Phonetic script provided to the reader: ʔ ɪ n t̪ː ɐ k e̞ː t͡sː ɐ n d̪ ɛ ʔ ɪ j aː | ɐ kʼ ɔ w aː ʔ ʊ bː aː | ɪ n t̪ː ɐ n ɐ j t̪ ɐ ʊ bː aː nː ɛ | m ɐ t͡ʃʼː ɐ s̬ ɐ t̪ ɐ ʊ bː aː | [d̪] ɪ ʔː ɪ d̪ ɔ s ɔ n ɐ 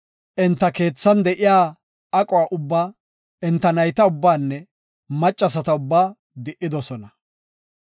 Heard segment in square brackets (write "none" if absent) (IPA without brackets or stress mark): d̪